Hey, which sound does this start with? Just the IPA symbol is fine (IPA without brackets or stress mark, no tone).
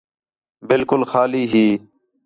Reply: b